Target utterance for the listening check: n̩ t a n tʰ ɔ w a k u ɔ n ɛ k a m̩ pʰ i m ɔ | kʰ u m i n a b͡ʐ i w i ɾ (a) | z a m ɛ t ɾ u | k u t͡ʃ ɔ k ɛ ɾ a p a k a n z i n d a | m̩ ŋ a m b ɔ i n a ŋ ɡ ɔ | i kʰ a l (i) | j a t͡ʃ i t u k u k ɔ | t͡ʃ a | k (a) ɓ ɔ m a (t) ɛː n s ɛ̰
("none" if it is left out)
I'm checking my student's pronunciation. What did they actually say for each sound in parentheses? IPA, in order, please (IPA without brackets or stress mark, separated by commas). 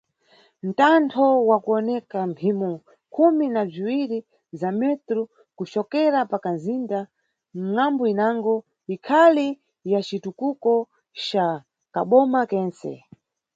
i, i, a, k